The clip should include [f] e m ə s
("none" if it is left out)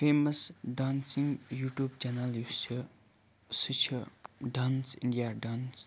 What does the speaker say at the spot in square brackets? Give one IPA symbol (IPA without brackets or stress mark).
f